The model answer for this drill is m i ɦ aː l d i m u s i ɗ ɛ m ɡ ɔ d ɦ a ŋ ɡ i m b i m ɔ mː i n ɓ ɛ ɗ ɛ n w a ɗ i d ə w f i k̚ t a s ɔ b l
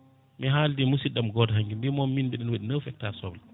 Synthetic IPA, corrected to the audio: m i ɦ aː l d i m u s i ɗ a m ɡ ɔ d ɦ a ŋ ɡ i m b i m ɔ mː i n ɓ ɛ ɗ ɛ n w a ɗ i n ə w f ɛ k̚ t a s ɔ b l